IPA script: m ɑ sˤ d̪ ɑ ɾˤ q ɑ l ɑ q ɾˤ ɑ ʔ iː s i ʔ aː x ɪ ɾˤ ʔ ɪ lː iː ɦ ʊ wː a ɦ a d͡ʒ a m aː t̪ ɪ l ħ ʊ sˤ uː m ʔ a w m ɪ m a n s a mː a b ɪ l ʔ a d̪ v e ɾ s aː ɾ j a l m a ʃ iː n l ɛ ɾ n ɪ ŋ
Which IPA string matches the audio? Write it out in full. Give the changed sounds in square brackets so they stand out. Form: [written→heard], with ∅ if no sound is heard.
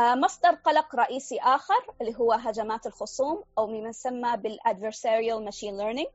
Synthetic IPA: m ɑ sˤ d̪ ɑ ɾˤ q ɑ l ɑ q ɾˤ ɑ ʔ iː s i ʔ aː x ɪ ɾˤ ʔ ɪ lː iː ɦ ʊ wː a ɦ a d͡ʒ a m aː t̪ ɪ l [ħ→x] ʊ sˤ uː m ʔ a w m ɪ m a n s a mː a b ɪ l ʔ a d̪ v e ɾ s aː ɾ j a l m a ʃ iː n l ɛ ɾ n ɪ ŋ